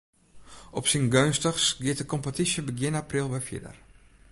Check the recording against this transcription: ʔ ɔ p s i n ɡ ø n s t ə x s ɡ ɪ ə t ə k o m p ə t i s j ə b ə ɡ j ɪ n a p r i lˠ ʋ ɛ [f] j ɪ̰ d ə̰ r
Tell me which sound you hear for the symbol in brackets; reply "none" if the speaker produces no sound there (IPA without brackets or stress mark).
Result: f